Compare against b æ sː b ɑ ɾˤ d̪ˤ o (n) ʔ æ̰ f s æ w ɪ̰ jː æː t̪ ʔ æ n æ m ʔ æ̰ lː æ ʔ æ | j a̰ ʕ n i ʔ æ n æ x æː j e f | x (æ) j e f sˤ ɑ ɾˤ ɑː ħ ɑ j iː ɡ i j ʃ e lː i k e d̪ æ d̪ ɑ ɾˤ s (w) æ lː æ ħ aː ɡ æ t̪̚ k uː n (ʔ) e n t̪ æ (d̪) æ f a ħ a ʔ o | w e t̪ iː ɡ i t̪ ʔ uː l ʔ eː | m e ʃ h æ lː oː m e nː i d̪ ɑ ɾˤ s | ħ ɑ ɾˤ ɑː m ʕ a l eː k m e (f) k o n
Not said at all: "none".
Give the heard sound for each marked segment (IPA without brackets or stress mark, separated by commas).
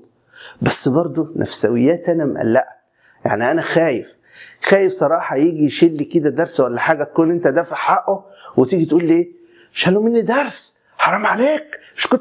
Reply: n, æː, w, ʔ, d̪, ʃ